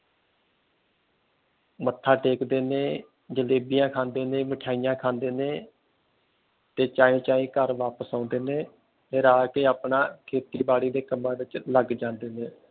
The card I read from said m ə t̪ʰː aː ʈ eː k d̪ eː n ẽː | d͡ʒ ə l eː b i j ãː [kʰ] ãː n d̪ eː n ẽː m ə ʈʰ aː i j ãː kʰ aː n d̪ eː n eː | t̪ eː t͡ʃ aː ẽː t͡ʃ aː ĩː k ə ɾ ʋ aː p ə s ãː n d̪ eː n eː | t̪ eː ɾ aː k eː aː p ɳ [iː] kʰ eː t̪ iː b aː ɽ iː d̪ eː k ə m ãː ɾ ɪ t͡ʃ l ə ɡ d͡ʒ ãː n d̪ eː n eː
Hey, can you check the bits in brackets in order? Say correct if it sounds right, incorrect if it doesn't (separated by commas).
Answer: correct, incorrect